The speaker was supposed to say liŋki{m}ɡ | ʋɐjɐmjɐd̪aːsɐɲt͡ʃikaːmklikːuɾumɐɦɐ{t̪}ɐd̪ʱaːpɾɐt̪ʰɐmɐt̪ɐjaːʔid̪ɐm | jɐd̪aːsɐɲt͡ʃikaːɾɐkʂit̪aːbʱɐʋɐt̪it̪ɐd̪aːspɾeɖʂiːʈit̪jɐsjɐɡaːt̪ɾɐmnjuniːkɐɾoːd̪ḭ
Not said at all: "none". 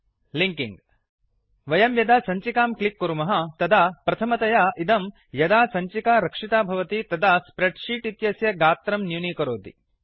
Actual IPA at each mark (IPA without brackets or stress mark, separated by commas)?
ŋ, t̪